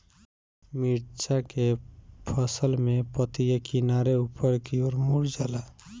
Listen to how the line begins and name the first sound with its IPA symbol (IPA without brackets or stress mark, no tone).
m